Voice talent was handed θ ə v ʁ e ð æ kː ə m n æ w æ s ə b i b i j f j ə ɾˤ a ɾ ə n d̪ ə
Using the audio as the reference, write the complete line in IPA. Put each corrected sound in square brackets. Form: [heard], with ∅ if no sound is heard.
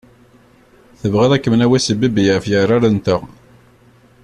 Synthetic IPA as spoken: θ ə v ʁ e ð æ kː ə m n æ w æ s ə b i b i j f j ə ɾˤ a ɾ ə n [t̪] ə